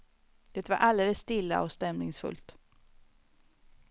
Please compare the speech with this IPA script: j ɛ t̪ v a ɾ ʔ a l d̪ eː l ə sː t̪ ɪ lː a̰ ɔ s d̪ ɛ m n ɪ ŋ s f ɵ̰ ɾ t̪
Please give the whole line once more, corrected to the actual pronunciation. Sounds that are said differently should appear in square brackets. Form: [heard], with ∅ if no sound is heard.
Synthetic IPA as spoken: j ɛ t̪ v a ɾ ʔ a l d̪ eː l ə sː t̪ ɪ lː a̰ ɔ s [t̪] ɛ m n ɪ ŋ s f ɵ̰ [l] t̪